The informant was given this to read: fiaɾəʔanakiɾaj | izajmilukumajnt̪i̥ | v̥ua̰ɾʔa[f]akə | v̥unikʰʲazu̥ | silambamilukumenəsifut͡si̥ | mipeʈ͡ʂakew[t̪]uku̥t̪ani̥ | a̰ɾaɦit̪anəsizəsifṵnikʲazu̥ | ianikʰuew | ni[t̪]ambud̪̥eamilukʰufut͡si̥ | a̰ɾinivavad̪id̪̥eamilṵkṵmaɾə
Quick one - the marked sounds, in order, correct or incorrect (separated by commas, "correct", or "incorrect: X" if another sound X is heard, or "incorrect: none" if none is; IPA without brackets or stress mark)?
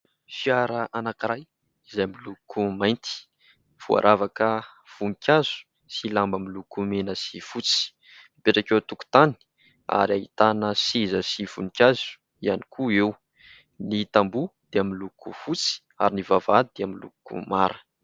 incorrect: v, correct, correct